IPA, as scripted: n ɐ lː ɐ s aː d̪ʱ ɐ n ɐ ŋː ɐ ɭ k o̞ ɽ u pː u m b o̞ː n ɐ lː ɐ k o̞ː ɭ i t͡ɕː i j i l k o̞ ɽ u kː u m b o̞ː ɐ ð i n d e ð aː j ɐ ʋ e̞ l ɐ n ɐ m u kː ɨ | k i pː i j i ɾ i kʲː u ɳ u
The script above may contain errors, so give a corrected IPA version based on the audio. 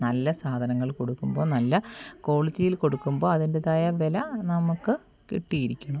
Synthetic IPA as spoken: n ɐ lː ɐ s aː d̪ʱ ɐ n ɐ ŋː ɐ ɭ k o̞ ɽ u kː u m b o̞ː n ɐ lː ɐ k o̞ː ɭ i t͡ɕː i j i l k o̞ ɽ u kː u m b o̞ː ɐ ð i n d e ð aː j ɐ ʋ e̞ l ɐ n ɐ m u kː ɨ | k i ʈː i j i ɾ i kʲː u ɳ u